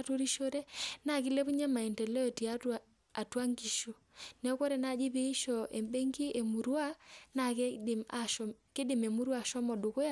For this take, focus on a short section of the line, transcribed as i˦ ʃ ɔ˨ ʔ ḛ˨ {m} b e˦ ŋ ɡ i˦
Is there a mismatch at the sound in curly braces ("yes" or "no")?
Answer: no